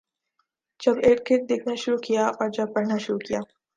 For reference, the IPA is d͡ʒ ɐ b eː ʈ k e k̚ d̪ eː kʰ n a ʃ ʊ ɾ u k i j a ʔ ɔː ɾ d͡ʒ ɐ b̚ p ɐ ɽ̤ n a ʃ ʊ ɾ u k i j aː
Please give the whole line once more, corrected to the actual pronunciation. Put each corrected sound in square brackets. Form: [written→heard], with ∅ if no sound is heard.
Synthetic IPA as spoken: d͡ʒ ɐ b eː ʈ k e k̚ d̪ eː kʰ n a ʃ ʊ ɾ u k i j a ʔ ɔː ɾ d͡ʒ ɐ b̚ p ɐ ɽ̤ n a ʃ ʊ ɾ u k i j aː